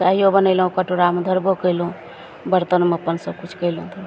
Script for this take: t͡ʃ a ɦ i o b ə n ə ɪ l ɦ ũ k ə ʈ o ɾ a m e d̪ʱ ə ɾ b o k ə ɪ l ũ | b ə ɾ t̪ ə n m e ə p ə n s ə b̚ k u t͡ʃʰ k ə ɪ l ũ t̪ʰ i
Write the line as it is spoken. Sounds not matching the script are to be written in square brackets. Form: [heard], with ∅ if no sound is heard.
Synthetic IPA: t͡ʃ a ɦ i o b ə n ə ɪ l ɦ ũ k ə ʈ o ɾ a m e d̪ʱ ə ɾ b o k ə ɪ l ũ | b ə ɾ t̪ ə n m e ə p ə n s ə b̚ k u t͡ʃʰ k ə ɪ l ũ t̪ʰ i